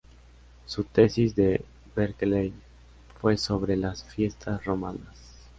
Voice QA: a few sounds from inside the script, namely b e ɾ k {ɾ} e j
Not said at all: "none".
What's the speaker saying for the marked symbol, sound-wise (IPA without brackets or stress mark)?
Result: l